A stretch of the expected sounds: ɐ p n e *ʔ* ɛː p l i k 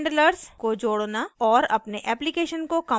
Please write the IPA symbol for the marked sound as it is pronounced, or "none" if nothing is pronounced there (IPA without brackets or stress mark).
ʔ